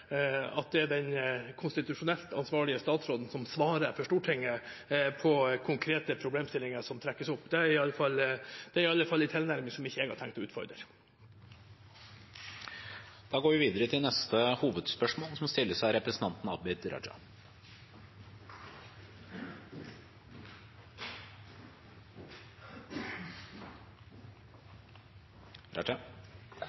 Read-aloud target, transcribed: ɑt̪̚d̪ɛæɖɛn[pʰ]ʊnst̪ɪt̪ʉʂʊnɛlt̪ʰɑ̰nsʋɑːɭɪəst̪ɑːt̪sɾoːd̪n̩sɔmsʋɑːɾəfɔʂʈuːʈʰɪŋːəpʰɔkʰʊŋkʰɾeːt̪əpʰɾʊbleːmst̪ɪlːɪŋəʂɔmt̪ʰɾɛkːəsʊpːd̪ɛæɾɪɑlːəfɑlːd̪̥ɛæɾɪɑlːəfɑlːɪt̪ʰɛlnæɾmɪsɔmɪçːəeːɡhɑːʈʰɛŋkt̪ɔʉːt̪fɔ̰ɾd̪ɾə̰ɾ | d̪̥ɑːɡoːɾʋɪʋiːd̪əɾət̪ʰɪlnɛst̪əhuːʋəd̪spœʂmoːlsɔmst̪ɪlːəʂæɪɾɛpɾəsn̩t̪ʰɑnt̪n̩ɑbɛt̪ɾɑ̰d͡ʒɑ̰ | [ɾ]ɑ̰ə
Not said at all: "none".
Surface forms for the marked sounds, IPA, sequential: kʰ, ɾ

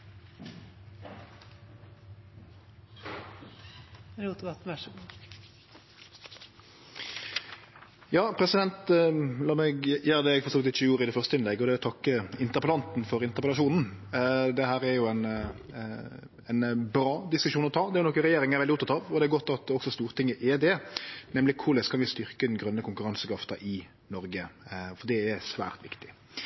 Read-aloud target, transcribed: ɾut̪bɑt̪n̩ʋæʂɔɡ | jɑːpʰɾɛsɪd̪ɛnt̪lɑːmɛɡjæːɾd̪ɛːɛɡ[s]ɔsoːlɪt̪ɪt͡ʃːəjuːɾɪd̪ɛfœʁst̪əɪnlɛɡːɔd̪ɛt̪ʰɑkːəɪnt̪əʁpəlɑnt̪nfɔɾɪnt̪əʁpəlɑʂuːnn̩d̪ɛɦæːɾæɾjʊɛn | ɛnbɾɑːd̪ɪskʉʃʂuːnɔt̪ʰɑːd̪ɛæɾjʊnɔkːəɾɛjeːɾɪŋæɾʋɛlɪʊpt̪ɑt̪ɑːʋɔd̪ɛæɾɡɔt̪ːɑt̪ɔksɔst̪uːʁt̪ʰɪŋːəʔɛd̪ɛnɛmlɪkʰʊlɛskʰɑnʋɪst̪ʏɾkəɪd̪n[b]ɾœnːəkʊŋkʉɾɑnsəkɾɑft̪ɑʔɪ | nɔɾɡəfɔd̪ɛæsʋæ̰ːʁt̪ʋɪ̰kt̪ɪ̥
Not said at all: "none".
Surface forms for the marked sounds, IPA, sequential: f, ɡ

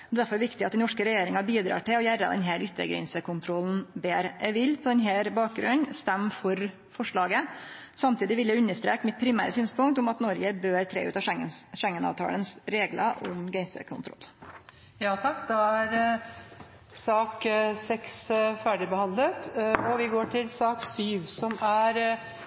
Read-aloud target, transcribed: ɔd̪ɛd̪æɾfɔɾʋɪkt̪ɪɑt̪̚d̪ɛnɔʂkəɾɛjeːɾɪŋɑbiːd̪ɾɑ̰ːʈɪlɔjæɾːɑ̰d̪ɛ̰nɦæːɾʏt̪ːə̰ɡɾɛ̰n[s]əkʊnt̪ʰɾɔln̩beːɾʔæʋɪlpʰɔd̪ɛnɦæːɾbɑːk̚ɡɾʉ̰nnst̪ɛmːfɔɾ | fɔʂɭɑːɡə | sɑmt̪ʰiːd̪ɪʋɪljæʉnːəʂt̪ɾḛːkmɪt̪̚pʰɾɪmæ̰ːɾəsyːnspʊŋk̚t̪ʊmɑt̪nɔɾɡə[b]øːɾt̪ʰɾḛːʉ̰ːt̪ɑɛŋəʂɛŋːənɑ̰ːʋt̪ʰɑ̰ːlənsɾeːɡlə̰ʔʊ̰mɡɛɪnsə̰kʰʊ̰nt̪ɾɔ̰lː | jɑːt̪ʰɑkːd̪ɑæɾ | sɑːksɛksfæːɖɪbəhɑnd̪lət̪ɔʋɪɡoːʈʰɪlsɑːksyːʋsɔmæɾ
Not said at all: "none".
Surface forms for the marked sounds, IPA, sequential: s, b

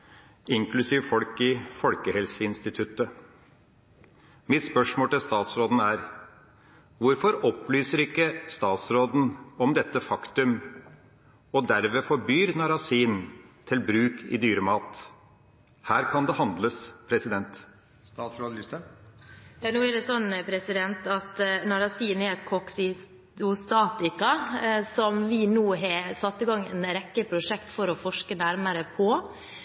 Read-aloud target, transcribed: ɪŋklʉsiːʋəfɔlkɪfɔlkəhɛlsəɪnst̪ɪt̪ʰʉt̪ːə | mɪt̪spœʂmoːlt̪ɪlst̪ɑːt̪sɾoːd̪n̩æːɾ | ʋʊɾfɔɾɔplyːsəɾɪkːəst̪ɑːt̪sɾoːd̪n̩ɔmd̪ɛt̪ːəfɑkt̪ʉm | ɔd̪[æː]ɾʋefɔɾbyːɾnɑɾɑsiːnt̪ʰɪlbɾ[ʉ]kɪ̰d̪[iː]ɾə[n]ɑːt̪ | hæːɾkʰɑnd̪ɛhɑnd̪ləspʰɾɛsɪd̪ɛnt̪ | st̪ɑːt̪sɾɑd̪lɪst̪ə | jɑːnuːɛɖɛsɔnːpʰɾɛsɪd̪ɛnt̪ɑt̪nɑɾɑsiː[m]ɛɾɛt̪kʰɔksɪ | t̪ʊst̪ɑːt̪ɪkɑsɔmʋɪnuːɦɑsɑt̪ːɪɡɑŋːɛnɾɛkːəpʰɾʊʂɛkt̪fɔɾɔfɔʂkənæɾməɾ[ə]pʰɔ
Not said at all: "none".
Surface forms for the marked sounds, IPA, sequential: æ, ʉː, yː, m, n, ə

